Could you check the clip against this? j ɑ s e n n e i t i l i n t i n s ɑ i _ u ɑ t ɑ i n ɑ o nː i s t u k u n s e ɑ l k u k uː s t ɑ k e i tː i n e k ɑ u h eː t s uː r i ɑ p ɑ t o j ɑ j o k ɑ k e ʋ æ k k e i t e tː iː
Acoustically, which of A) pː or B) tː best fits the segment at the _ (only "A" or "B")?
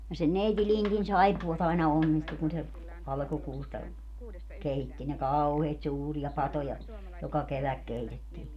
A